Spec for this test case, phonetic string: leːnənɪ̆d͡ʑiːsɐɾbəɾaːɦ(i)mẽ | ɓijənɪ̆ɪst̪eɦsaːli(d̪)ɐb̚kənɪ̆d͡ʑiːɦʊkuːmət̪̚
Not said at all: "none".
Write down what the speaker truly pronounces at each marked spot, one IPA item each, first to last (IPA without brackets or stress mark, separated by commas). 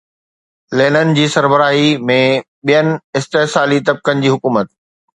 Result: i, t̪